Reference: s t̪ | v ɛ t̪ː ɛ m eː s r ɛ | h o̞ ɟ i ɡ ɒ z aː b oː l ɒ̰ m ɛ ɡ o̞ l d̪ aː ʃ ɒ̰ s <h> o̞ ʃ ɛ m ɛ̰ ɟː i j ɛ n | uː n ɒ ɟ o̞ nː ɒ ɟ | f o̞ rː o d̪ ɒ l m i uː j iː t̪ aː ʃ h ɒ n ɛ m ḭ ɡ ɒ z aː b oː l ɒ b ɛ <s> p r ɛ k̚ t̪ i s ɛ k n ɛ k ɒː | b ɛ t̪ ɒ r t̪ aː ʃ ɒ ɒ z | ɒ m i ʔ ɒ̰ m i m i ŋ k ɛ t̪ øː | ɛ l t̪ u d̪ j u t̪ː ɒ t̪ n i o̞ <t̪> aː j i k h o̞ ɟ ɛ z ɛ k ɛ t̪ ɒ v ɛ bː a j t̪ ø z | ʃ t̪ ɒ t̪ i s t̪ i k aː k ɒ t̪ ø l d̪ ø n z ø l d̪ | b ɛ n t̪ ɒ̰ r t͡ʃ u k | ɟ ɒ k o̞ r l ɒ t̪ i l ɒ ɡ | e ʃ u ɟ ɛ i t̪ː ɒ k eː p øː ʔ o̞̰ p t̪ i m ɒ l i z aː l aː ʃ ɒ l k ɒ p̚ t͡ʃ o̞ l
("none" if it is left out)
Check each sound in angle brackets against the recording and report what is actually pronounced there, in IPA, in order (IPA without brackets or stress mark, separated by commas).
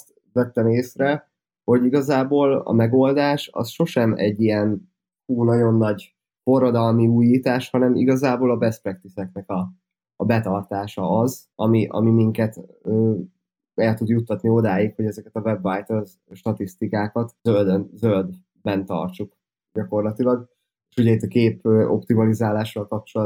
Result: ʃ, s, d̪